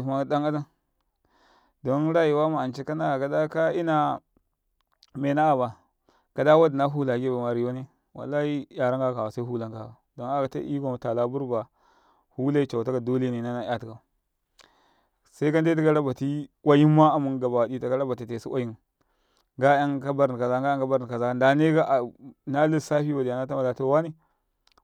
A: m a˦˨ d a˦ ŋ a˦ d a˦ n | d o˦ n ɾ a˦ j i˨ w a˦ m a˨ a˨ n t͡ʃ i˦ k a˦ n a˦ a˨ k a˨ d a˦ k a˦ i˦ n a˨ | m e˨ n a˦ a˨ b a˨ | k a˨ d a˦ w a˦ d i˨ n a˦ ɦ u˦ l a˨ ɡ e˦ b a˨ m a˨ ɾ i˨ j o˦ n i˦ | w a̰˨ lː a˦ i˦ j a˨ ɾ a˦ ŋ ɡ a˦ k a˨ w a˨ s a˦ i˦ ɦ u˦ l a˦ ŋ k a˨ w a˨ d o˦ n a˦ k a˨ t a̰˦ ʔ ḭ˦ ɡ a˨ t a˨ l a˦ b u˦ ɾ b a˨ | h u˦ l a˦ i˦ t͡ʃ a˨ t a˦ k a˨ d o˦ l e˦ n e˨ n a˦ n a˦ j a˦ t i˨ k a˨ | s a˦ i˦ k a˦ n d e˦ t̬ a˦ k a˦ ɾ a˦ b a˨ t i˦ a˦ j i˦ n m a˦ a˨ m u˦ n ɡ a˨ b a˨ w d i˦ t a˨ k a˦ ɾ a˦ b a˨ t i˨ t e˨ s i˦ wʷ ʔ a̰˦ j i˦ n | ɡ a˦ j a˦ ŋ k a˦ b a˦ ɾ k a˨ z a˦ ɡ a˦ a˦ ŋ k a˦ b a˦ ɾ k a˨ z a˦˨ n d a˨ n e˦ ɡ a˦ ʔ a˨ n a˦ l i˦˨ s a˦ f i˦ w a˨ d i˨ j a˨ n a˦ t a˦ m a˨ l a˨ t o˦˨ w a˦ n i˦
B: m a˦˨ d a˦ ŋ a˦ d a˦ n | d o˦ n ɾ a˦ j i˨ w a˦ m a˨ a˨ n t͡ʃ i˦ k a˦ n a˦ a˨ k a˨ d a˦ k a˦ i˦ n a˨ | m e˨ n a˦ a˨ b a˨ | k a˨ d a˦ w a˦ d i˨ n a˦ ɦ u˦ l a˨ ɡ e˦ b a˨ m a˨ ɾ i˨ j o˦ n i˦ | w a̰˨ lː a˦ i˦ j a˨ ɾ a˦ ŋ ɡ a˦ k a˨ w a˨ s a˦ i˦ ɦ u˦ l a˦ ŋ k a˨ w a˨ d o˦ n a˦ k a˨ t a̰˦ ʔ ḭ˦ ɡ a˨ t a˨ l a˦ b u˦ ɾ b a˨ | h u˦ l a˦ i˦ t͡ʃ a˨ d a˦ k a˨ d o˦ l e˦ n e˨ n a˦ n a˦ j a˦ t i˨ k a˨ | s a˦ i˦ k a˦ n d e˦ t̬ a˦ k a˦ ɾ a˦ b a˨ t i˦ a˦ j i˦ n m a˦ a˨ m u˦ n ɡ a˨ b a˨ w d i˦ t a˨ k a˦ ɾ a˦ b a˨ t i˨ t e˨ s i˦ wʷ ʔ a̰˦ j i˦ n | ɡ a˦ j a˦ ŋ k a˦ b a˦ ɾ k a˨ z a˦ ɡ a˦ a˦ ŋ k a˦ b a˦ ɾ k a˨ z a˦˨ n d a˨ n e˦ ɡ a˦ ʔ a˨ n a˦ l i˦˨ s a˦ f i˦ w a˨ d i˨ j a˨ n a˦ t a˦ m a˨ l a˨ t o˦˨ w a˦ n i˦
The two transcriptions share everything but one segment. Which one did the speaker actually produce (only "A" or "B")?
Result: A